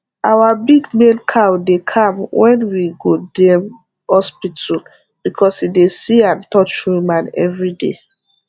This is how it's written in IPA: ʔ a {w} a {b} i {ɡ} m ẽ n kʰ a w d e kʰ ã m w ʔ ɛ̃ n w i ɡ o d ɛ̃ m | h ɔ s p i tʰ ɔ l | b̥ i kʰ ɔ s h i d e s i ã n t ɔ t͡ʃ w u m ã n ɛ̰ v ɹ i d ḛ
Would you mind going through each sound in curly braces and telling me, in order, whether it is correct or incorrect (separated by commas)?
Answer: correct, correct, correct